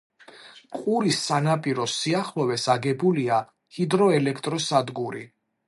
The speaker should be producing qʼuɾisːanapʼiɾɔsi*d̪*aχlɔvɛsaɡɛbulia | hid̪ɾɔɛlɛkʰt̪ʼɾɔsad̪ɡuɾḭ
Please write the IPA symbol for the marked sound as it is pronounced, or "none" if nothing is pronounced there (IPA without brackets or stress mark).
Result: none